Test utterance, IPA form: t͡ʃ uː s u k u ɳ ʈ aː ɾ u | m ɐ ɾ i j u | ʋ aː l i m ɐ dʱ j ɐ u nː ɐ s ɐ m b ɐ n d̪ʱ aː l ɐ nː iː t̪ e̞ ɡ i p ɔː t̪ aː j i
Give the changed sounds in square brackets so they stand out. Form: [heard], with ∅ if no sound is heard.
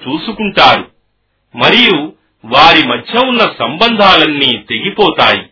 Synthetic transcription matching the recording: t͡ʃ uː s u k u ɳ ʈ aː ɾ u | m ɐ ɾ i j u | ʋ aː [ɾ] i m ɐ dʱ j ɐ u nː ɐ s ɐ m b ɐ n d̪ʱ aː l ɐ nː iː t̪ e̞ ɡ i p ɔː t̪ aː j i